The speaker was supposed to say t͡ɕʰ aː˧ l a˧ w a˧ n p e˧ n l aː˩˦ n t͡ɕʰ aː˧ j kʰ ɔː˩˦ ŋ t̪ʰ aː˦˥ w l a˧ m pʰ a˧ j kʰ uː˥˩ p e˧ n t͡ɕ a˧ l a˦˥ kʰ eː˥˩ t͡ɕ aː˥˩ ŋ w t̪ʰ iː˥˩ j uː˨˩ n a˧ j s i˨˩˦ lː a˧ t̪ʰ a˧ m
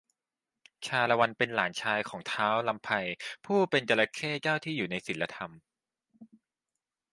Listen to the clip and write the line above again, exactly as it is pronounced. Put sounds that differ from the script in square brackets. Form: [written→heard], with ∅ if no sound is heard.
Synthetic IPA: t͡ɕʰ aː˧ l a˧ w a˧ n p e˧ n l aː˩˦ n t͡ɕʰ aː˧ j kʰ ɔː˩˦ ŋ t̪ʰ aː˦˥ w l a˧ m pʰ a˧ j [kʰ→pʰ] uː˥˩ p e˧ n t͡ɕ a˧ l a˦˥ kʰ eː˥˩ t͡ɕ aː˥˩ [ŋ→∅] w t̪ʰ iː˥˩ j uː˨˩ n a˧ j s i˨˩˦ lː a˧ t̪ʰ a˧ m